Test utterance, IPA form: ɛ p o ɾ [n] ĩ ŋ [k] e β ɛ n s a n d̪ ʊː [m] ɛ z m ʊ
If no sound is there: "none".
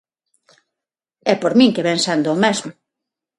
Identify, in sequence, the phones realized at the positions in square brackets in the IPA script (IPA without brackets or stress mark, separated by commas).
m, k, m